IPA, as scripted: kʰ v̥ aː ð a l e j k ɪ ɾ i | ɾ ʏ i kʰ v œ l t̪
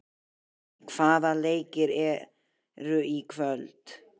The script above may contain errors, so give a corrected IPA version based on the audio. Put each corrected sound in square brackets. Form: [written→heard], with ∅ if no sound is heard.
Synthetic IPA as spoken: kʰ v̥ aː ð a l e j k ɪ ɾ [i→ɛ] | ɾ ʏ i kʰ v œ l t̪